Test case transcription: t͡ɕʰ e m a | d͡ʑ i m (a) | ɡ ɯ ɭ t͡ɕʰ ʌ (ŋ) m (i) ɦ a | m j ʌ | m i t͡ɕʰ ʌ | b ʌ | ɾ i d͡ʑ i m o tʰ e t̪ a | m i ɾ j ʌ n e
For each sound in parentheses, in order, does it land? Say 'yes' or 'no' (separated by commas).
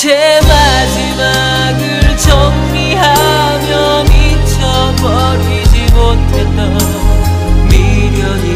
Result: yes, yes, yes